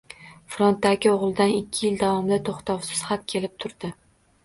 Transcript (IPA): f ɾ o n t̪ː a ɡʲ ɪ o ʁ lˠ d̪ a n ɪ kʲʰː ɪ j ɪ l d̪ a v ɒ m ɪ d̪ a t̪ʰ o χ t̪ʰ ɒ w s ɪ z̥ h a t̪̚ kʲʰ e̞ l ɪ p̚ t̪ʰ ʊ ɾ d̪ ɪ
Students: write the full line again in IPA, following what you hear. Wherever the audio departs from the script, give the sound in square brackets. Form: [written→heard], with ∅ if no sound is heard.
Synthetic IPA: f ɾ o n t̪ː a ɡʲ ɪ o ʁ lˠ d̪ a n ɪ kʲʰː ɪ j ɪ l d̪ a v ɒ m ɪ d̪ a t̪ʰ o χ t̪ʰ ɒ w s ɪ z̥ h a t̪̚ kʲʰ e̞ l ɪ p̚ t̪ʰ ʊ ɾ d̪ ɪ